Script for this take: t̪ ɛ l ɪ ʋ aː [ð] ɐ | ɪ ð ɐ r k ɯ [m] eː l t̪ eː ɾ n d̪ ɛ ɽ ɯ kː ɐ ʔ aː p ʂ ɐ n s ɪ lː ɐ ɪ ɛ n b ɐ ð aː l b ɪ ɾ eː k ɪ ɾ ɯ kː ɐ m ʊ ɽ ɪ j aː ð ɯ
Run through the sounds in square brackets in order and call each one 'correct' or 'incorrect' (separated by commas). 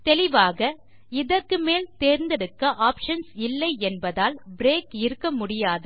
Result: incorrect, correct